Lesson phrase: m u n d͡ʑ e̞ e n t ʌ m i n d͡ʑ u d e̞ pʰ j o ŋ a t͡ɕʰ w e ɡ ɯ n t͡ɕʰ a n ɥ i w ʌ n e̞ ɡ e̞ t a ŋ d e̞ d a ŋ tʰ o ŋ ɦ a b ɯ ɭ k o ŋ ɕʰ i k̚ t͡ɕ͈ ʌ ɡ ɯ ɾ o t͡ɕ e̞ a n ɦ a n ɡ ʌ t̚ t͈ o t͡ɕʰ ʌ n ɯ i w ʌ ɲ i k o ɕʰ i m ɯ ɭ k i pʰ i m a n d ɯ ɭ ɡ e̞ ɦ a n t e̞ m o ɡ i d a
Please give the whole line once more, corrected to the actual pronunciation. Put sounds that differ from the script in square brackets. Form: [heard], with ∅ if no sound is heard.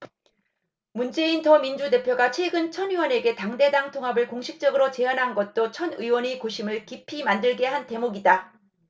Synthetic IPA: m u n d͡ʑ e̞ [i] n t ʌ m i n d͡ʑ u d e̞ pʰ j o [ɡ] a t͡ɕʰ w e ɡ ɯ n t͡ɕʰ [ʌ] n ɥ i w ʌ n e̞ ɡ e̞ t a ŋ d e̞ d a ŋ tʰ o ŋ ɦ a b ɯ ɭ k o ŋ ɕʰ i k̚ t͡ɕ͈ ʌ ɡ ɯ ɾ o t͡ɕ e̞ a n ɦ a n ɡ ʌ t̚ t͈ o t͡ɕʰ ʌ n ɯ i w ʌ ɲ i k o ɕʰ i m ɯ ɭ k i pʰ i m a n d ɯ ɭ ɡ e̞ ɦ a n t e̞ m o ɡ i d a